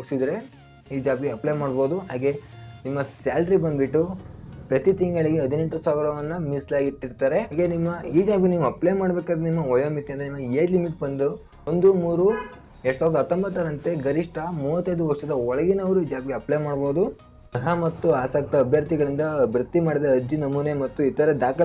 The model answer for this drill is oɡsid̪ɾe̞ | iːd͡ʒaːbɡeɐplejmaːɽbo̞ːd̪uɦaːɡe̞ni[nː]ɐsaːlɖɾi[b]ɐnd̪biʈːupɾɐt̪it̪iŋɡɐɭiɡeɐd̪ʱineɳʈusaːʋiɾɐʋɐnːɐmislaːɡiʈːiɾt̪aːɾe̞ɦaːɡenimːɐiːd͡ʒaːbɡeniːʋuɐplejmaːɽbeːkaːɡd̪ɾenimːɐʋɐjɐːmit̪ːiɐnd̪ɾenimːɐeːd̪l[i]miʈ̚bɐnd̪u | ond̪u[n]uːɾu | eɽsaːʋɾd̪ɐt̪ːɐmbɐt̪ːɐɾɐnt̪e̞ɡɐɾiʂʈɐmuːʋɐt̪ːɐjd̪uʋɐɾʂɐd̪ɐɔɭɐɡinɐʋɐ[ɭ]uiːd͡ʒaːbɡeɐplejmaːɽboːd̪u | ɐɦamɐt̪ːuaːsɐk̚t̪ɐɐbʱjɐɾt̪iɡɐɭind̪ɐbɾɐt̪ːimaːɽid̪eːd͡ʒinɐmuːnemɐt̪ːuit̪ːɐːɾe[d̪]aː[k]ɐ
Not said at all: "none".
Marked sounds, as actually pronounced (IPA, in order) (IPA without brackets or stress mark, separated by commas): mː, b, i, m, ɾ, d̪, k